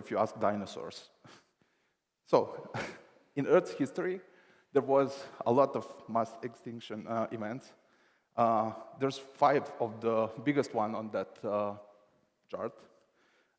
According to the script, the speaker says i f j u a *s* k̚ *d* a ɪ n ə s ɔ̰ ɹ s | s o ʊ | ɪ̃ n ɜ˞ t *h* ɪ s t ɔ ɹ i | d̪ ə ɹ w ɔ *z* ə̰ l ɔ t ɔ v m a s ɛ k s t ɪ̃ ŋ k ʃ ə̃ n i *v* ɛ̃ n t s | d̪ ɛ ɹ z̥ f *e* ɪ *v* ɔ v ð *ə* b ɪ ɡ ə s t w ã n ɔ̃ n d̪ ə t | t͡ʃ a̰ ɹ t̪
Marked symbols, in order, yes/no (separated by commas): yes, yes, yes, yes, yes, no, yes, yes